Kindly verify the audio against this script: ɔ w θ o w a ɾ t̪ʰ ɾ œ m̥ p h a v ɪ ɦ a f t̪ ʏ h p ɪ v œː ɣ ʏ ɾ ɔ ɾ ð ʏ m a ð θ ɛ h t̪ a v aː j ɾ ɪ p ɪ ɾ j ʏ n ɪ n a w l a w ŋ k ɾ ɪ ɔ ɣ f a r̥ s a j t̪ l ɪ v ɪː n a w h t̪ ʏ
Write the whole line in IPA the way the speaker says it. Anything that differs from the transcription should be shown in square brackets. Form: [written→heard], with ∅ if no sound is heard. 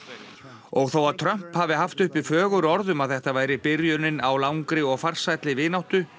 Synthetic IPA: ɔ [w→ɣ] θ o w a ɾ t̪ʰ ɾ œ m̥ p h a v ɪ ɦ a f t̪ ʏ h p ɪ [v→f] œː ɣ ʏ ɾ ɔ ɾ ð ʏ m a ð θ ɛ h t̪ a v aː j ɾ ɪ p ɪ ɾ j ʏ n ɪ n a w l a w ŋ k ɾ ɪ ɔ ɣ f a r̥ s a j t̪ l ɪ v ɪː n a w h t̪ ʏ